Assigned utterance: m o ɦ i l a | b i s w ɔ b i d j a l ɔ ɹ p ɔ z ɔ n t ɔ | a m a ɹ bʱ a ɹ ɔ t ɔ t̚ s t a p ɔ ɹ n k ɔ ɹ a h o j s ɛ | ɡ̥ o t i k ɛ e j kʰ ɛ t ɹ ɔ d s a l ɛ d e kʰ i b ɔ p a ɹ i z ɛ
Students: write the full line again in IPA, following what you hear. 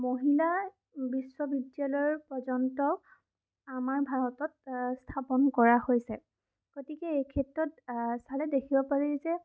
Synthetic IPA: m o ɦ i l a | b i s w ɔ b i d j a l ɔ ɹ p ɔ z ɔ n t ɔ | a m a ɹ bʱ a ɹ ɔ t ɔ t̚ s tʰ a p ɔ n k ɔ ɹ a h o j s ɛ | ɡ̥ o t i k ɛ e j kʰ ɛ t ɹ ɔ t s a l ɛ d e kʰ i b ɔ p a ɹ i z ɛ